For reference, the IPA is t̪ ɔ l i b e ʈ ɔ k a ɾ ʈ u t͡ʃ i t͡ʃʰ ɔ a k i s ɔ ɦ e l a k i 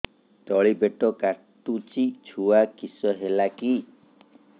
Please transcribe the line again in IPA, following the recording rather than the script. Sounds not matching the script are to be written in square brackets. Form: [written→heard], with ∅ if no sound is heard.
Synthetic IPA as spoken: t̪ ɔ [l→ɭ] i b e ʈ ɔ k a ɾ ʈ u t͡ʃ i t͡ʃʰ [ɔ→u] a k i s ɔ ɦ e l a k i